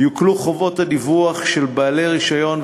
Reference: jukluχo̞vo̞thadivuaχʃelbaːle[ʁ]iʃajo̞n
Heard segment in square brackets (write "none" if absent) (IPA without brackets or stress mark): ʁ